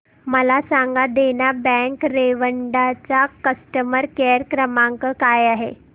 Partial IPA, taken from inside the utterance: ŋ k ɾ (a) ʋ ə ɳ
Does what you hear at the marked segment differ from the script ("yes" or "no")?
yes